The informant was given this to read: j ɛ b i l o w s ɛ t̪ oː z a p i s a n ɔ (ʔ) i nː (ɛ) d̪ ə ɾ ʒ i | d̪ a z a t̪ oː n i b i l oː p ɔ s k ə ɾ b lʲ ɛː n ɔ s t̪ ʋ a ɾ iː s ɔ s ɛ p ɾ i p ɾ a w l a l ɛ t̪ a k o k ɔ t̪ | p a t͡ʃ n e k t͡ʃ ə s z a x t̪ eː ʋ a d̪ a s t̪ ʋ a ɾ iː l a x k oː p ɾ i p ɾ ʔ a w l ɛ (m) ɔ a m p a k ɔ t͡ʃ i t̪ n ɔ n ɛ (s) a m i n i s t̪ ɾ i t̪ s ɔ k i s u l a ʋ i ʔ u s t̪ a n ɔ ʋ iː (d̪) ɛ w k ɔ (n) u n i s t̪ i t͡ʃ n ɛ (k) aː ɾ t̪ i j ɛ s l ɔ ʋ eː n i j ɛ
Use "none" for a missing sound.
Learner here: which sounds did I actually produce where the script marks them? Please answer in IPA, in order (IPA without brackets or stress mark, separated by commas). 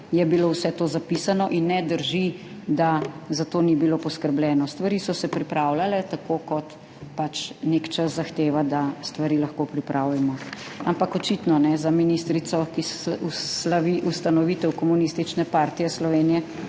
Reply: ʔ, ɛ, m, z, t̪, m, p